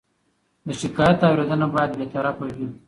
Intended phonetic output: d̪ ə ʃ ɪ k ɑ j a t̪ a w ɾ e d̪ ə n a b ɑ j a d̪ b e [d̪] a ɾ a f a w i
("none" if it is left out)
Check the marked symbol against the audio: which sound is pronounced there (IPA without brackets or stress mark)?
t̪